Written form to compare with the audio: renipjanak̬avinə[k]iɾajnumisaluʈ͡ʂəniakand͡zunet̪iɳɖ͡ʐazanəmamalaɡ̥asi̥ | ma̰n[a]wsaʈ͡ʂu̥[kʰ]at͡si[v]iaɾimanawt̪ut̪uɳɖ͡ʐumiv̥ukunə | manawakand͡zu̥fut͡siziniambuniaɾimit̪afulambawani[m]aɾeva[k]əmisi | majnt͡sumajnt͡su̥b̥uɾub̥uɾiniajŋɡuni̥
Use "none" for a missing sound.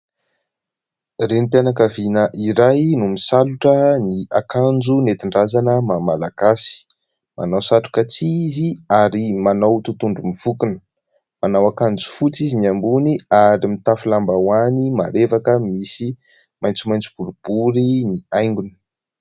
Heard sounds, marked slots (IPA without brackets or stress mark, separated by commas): ʔ, a, k, z, m, k